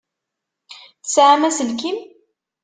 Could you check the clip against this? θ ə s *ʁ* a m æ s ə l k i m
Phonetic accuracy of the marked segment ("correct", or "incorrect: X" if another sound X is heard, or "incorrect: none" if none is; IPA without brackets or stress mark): incorrect: ʕ